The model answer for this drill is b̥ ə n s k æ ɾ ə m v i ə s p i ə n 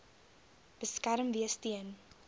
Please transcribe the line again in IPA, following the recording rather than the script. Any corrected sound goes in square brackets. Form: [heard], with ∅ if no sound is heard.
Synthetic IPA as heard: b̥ ə [∅] s k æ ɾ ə m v i ə s [t] i ə n